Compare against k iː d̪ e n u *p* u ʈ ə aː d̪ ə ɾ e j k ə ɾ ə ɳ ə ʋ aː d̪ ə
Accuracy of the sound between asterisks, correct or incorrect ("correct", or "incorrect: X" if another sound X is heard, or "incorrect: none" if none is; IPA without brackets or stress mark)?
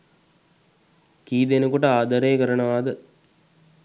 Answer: incorrect: k